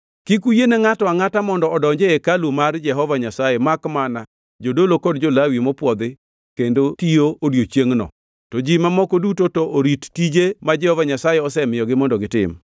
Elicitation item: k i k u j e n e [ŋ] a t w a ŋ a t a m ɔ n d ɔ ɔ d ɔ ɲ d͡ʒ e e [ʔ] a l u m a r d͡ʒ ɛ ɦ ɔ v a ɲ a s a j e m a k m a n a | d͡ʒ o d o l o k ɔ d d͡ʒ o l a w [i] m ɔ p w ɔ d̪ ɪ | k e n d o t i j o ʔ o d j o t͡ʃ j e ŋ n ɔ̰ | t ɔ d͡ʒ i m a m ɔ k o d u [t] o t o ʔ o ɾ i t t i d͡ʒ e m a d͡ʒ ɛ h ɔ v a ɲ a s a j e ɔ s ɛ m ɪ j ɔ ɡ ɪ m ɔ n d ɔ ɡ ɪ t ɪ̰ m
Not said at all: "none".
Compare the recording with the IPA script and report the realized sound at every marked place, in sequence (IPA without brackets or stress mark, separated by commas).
ŋ, k, i, t